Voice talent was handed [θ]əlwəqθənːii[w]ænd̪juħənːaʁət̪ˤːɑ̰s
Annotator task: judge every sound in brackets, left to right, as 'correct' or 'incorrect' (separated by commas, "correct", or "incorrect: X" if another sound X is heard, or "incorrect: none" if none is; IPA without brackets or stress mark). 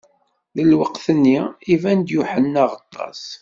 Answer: incorrect: ð, incorrect: v